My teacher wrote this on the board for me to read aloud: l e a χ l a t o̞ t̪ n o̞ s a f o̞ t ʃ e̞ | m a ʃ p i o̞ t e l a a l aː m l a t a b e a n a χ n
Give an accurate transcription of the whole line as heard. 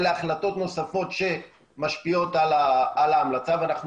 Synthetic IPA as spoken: l e a χ l a t o̞ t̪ n o̞ s a f o̞ t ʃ e̞ | m a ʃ p i o̞ t a l a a l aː m l a t͡s a v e a n a χ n